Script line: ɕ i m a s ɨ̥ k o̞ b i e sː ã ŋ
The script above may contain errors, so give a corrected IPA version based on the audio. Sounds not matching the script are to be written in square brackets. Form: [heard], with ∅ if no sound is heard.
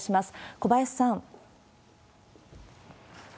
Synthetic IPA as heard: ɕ i m a s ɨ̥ k o̞ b [a] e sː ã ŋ